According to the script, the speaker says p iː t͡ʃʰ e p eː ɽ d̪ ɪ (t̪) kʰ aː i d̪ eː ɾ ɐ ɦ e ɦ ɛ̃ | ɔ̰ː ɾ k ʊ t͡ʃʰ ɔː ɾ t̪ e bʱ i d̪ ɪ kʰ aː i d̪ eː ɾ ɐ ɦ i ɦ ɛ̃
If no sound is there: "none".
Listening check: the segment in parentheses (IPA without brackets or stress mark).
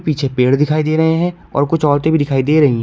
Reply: none